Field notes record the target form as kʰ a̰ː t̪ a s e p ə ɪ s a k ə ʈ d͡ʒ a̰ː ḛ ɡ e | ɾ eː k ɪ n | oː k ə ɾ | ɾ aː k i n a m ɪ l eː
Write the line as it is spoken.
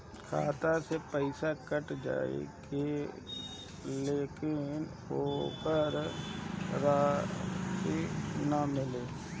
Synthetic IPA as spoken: kʰ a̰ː t̪ a s e p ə ɪ s a k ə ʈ d͡ʒ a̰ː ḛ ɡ e | l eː k ɪ n | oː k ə ɾ | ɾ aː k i n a m ɪ l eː